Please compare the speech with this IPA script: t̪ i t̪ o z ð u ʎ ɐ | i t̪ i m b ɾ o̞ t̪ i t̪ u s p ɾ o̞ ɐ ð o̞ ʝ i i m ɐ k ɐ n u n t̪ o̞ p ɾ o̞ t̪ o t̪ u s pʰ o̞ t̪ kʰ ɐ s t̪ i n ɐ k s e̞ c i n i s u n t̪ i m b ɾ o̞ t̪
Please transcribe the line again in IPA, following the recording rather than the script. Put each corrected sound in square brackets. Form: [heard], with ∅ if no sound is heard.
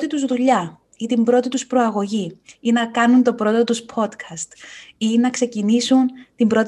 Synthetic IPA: t̪ i t̪ [u] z ð u ʎ ɐ | i t̪ i m b ɾ o̞ t̪ i t̪ u s p ɾ o̞ ɐ [ɣ] o̞ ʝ i i [n] ɐ k ɐ n u n t̪ o̞ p ɾ o̞ t̪ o t̪ u s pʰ o̞ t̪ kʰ ɐ s t̪ i n ɐ k s e̞ c i n i s u n t̪ i m b ɾ o̞ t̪